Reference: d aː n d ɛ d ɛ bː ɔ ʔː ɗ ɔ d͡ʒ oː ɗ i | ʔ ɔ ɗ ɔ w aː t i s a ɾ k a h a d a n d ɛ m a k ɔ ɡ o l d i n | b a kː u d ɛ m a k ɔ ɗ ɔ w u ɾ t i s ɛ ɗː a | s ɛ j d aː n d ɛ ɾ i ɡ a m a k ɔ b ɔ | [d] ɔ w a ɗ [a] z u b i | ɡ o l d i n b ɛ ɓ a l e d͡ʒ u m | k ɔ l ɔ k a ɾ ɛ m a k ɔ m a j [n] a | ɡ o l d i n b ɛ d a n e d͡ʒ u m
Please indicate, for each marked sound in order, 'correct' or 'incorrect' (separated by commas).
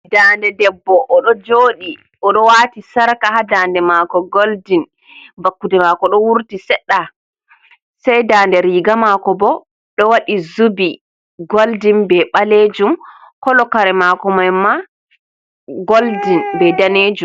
incorrect, incorrect, incorrect